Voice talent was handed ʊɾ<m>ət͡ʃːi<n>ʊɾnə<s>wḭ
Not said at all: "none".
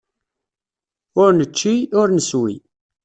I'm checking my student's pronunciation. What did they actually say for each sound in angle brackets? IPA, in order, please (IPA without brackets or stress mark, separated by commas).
n, none, s